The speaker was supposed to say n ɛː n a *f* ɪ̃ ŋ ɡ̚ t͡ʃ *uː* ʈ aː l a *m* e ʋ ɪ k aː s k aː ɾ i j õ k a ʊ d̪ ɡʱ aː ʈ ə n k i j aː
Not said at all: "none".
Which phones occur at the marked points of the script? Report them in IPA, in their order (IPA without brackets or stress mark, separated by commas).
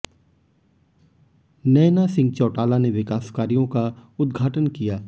s, ɔː, n